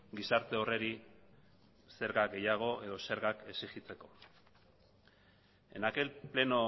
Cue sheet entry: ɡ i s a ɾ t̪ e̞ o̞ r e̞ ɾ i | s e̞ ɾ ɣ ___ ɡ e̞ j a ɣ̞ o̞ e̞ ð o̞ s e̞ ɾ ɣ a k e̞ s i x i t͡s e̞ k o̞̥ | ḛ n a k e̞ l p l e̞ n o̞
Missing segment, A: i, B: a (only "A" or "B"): B